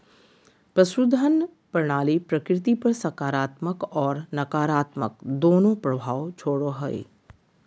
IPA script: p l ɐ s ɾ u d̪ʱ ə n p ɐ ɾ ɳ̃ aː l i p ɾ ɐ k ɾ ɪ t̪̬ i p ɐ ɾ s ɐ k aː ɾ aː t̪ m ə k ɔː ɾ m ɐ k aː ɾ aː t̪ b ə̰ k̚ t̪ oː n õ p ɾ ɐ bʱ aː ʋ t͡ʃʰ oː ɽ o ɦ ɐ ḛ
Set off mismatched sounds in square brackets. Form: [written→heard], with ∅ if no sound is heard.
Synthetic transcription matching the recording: p [l→ɾ] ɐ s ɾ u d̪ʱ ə n p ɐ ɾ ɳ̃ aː l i p ɾ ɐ k ɾ ɪ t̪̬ i p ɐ ɾ s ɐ k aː ɾ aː t̪ m ə k ɔː ɾ [m→n] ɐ k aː ɾ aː t̪ [b→m] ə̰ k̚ [t̪→d̪] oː n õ p ɾ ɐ bʱ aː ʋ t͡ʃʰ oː ɽ o ɦ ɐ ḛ